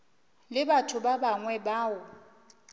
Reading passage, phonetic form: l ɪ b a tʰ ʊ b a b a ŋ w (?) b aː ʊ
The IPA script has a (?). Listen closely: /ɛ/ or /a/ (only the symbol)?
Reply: ɛ